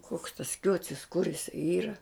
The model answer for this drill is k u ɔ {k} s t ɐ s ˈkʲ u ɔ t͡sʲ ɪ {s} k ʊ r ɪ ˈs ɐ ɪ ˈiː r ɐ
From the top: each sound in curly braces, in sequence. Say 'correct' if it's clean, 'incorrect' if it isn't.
correct, correct

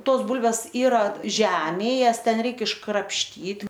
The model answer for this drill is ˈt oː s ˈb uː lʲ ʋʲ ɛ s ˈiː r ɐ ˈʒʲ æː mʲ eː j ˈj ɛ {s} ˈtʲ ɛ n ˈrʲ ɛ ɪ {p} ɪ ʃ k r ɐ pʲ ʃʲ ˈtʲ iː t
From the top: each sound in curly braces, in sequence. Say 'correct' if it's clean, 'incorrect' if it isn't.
correct, incorrect

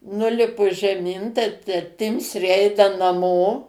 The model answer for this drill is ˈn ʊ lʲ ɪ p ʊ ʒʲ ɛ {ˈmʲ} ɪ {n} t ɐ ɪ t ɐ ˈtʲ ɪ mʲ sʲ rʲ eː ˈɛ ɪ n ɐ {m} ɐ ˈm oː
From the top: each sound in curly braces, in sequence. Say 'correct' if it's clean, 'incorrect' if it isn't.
correct, correct, incorrect

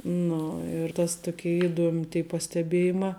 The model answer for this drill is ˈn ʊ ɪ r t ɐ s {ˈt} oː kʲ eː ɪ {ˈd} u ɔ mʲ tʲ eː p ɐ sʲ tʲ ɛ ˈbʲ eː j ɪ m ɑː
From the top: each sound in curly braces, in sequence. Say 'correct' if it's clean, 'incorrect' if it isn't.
correct, correct

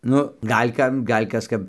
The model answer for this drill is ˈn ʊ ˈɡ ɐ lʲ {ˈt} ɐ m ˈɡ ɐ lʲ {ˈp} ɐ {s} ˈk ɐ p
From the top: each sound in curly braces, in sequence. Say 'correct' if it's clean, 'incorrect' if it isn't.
incorrect, incorrect, correct

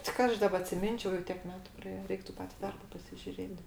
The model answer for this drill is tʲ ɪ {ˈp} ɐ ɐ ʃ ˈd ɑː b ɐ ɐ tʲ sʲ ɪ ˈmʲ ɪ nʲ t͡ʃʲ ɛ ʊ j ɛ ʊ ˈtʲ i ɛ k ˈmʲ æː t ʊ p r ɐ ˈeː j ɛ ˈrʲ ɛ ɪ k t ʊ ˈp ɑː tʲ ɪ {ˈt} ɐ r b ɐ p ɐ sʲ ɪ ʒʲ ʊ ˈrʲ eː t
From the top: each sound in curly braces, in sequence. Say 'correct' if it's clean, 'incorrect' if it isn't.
incorrect, incorrect

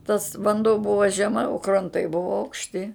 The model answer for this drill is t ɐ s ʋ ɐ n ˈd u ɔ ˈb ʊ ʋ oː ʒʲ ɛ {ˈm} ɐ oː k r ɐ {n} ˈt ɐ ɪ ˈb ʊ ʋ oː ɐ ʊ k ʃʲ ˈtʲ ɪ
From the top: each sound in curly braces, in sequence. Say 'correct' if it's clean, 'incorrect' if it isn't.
correct, correct

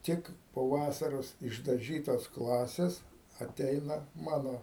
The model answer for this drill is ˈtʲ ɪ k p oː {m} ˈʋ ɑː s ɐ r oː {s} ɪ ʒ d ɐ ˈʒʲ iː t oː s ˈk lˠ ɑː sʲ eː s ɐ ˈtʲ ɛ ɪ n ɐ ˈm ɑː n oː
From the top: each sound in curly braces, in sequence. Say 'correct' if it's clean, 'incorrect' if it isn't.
incorrect, correct

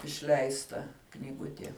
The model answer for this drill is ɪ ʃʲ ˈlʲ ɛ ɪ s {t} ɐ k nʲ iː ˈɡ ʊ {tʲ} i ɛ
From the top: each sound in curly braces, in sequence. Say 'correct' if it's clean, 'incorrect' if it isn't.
correct, correct

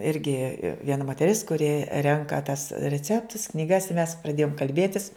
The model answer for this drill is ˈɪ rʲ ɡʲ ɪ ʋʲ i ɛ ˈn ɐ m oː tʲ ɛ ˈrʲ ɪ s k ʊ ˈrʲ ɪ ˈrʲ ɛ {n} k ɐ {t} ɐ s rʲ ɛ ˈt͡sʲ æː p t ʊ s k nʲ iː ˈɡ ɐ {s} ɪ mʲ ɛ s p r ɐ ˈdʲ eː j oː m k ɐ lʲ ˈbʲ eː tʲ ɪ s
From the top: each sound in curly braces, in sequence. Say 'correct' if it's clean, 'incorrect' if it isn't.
incorrect, correct, correct

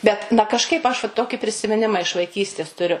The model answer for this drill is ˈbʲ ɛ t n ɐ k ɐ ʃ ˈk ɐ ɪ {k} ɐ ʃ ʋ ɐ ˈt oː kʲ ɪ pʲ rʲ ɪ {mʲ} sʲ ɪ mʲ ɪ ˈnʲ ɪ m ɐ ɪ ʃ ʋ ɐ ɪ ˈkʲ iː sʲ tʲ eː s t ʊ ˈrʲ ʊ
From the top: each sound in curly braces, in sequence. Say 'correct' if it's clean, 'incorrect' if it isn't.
incorrect, incorrect

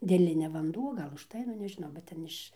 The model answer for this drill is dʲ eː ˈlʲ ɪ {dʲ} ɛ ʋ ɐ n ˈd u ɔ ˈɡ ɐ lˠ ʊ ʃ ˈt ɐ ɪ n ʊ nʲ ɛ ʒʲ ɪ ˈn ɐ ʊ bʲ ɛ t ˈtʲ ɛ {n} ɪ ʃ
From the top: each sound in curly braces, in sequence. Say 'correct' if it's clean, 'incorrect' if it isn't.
incorrect, correct

